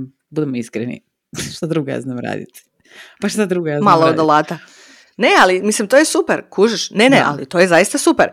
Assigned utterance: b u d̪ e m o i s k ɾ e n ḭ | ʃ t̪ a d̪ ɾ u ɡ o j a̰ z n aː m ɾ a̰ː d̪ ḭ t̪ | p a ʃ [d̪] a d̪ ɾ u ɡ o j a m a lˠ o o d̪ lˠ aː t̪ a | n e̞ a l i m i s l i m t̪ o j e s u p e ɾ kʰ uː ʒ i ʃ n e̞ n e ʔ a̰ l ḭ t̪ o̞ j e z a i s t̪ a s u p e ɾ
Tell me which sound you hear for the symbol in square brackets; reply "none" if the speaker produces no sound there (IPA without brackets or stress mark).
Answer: t̪